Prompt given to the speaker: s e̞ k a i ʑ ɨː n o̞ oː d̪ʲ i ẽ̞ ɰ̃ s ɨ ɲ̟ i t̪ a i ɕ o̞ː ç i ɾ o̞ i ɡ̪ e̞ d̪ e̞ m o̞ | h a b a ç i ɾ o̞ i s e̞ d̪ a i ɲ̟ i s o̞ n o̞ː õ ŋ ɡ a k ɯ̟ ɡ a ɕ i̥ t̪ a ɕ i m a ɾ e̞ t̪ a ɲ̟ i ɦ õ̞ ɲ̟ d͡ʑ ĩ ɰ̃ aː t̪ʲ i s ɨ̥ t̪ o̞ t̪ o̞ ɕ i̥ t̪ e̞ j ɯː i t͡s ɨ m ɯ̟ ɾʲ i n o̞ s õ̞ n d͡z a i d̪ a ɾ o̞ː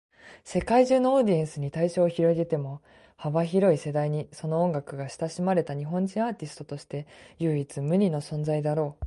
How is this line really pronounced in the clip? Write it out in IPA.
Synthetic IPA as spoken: s e̞ k a i ʑ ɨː n o̞ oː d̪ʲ i ẽ̞ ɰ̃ s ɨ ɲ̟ i t̪ a i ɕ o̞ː ç i ɾ o̞ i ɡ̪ e̞ t̪ e̞ m o̞ | h a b a ç i ɾ o̞ i s e̞ d̪ a i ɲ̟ i s o̞ n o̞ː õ ŋ ɡ a k ɯ̟ ɡ a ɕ i̥ t̪ a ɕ i m a ɾ e̞ t̪ a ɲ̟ i ɦ õ̞ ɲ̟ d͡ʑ ĩ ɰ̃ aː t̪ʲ i s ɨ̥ t̪ o̞ t̪ o̞ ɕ i̥ t̪ e̞ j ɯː i t͡s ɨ m ɯ̟ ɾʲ i n o̞ s õ̞ n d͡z a i d̪ a ɾ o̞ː

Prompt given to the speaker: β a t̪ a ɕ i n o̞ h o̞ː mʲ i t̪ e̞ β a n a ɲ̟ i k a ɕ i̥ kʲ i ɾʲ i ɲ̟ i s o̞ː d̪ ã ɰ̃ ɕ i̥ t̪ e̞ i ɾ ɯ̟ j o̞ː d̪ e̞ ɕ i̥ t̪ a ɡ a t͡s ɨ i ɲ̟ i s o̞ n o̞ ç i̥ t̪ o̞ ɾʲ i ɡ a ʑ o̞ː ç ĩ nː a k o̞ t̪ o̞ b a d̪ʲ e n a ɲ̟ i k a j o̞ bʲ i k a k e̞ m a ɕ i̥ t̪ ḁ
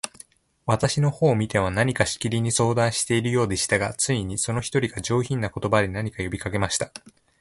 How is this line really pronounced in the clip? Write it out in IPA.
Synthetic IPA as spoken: β a t̪ a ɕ i n o̞ h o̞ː mʲ i t̪ e̞ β a n a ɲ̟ i k a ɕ i̥ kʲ i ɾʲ i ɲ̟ i s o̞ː d̪ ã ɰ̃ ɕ i̥ t̪ e̞ i ɾ ɯ̟ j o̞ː d̪ e̞ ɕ i̥ t̪ a ɡ a t͡s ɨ i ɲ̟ i s o̞ n o̞ ç i̥ t̪ o̞ ɾʲ i ɡ a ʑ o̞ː ç ĩ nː a k o̞ t̪ o̞ b a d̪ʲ e n a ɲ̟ i k a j o̞ bʲ i k a k e̞ m a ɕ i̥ t̪ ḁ

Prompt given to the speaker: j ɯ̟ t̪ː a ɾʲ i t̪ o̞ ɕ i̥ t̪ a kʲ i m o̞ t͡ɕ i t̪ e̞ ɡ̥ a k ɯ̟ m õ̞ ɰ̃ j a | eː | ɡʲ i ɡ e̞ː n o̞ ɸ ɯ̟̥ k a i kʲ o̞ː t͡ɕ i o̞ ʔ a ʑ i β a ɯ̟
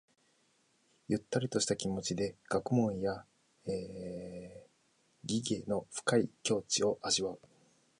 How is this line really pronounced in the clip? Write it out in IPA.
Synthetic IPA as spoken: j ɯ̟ t̪ː a ɾʲ i t̪ o̞ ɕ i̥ t̪ a kʲ i m o̞ t͡ɕ i d̪ e̞ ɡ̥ a k ɯ̟ m õ̞ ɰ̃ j a | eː | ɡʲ i ɡ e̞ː n o̞ ɸ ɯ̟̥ k a i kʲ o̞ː t͡ɕ i o̞ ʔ a ʑ i β a ɯ̟

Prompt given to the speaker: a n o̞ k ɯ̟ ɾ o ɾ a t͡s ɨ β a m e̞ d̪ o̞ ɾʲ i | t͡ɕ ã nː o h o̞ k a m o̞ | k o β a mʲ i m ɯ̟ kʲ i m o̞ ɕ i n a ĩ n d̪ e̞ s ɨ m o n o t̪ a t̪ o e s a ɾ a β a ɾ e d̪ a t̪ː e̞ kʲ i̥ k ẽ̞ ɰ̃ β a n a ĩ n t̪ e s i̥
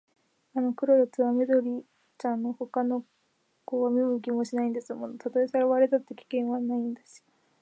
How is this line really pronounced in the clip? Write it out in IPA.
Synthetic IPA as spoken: a n o̞ k ɯ̟ ɾ o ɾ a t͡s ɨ β a m e̞ d̪ o̞ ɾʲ i | t͡ɕ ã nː o h o̞ k a n o̞ | k o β a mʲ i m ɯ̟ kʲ i m o̞ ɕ i n a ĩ n d̪ e̞ s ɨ m o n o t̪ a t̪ o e s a ɾ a β a ɾ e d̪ a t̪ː e̞ kʲ i̥ k ẽ̞ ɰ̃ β a n a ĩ n d̪ e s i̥

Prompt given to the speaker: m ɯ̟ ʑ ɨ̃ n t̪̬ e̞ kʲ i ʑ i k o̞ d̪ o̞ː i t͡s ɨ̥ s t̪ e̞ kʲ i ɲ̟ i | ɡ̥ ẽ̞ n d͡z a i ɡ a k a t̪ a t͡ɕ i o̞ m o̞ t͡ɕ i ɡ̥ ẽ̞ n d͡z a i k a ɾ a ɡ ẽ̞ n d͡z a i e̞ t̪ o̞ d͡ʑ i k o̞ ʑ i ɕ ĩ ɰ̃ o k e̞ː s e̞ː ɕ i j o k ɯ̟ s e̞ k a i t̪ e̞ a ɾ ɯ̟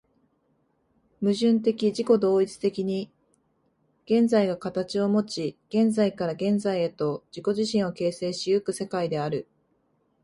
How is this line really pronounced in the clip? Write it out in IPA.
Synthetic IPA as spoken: m ɯ̟ ʑ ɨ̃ n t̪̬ e̞ kʲ i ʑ i k o̞ d̪ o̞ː i t͡s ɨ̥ t̪ e̞ kʲ i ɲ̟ i | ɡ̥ ẽ̞ n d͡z a i ɡ a k a t̪ a t͡ɕ i o̞ m o̞ t͡ɕ i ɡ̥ ẽ̞ n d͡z a i k a ɾ a ɡ ẽ̞ n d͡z a i e̞ t̪ o̞ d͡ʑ i k o̞ ʑ i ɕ ĩ ɰ̃ o k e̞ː s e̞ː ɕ i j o k ɯ̟ s e̞ k a i d̪ e̞ a ɾ ɯ̟

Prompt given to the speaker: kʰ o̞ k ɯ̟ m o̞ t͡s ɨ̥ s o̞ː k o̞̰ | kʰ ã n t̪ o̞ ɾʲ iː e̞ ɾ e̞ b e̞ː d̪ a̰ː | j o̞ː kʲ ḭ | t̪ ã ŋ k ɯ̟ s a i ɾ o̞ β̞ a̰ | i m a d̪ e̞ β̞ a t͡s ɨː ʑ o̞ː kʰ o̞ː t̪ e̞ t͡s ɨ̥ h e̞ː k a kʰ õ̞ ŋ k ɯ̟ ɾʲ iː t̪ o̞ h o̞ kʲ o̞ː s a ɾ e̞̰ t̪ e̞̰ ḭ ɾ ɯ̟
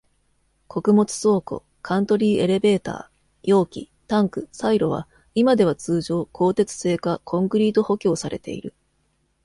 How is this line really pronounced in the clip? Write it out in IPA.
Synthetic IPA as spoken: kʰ o̞ k ɯ̟ m o̞ t͡s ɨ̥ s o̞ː k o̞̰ | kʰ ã n t̪ o̞ ɾʲ iː e̞ ɾ e̞ b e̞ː t̪ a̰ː | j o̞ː kʲ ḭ | t̪ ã ŋ k ɯ̟ s a i ɾ o̞ β̞ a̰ | i m a d̪ e̞ β̞ a t͡s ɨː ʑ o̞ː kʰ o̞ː t̪ e̞ t͡s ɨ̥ s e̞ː k a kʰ õ̞ ŋ k ɯ̟ ɾʲ iː t̪ o̞ h o̞ kʲ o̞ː s a ɾ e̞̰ t̪ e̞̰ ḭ ɾ ɯ̟

